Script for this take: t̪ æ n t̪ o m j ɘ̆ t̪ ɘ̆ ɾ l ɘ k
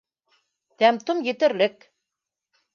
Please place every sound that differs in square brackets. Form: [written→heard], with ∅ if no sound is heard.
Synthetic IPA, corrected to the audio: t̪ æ [n→m] t̪ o m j ɘ̆ t̪ ɘ̆ ɾ l ɘ k